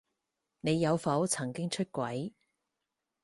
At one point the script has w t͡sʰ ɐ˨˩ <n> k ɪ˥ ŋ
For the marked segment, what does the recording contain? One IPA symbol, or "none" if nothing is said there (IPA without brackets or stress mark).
ŋ